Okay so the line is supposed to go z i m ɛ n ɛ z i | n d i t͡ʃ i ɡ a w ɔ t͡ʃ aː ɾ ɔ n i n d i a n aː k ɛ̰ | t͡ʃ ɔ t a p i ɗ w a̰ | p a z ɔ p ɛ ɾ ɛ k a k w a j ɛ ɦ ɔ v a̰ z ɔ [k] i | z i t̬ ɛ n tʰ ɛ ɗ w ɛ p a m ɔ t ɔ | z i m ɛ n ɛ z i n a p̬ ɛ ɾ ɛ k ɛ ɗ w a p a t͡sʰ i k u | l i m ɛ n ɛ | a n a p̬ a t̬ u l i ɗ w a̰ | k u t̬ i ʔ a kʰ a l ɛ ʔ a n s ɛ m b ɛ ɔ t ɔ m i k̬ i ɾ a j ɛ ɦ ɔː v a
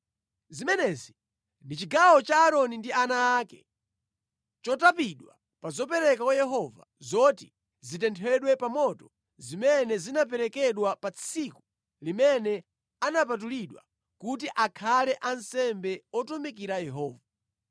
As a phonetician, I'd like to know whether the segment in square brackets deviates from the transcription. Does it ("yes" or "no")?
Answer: yes